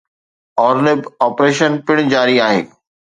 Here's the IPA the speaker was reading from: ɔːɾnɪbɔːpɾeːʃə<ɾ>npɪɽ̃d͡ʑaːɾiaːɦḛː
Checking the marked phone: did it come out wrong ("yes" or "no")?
yes